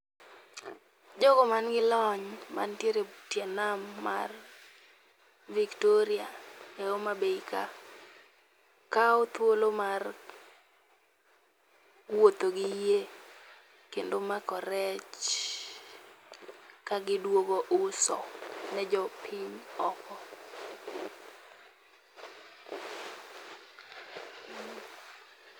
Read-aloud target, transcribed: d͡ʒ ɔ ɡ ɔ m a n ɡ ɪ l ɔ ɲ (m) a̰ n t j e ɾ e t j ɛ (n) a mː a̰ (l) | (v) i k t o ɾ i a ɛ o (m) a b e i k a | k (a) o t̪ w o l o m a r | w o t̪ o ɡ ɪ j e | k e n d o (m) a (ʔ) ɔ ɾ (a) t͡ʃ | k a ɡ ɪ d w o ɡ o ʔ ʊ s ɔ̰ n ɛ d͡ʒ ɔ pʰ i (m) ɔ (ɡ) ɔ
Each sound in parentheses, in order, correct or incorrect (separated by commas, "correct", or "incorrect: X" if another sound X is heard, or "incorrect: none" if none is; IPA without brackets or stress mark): correct, correct, incorrect: r, correct, correct, correct, correct, incorrect: k, incorrect: ɛ, incorrect: ɲ, incorrect: k